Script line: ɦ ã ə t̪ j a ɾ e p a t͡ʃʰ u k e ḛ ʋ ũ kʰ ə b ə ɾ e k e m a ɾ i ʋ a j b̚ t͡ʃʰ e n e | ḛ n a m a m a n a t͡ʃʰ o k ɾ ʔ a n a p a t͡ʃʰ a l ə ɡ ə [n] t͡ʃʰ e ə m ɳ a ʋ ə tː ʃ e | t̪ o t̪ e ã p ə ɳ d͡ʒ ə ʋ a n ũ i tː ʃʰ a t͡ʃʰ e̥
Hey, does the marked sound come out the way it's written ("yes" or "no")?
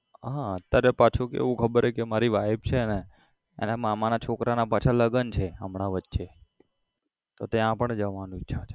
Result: yes